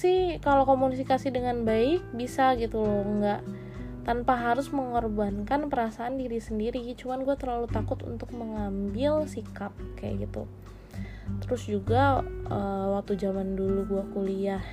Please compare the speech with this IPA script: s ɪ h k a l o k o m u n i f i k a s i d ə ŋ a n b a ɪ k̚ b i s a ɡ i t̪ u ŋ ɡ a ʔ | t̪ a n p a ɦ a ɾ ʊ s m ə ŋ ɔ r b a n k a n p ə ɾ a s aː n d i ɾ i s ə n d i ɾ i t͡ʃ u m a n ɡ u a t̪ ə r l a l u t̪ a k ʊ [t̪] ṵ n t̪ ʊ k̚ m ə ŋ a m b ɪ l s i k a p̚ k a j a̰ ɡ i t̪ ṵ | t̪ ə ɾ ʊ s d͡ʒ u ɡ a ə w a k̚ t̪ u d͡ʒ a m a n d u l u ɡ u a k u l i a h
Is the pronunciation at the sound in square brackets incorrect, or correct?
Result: correct